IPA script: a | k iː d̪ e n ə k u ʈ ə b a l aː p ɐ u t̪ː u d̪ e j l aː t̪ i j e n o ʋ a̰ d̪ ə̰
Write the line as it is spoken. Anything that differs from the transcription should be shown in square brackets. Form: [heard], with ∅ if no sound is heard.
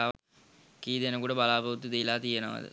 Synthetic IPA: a | k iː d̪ e n ə k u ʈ ə b a l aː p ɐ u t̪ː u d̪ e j l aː t̪ i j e n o ʋ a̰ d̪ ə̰